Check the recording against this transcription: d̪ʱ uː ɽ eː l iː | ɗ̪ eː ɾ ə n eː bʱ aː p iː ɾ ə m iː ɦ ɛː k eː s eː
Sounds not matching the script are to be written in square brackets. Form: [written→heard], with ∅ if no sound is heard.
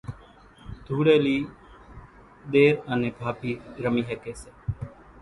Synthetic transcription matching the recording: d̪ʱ uː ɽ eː l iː | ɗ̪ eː ɾ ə n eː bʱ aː p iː ɾ ə m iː ɦ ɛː k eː s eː